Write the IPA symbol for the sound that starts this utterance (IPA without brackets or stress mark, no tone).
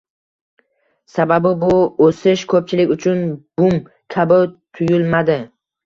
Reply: s